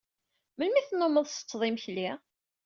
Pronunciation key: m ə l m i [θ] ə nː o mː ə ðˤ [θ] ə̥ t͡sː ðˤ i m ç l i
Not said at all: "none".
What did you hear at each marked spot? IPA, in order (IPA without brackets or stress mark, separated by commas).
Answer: θ, s